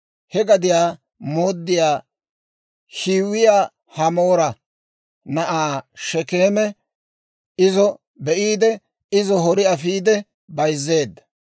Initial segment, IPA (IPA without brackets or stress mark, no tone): h